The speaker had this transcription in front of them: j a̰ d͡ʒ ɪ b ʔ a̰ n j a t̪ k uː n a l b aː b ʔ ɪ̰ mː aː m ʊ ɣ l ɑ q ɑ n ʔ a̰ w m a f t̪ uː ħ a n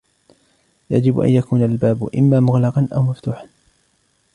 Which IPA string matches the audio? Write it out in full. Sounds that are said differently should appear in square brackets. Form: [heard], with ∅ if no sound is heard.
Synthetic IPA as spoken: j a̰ d͡ʒ ɪ b ʔ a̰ n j a [∅] k uː n a l b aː b ʔ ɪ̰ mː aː m ʊ ɣ l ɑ q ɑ n ʔ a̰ w m a f t̪ uː ħ a n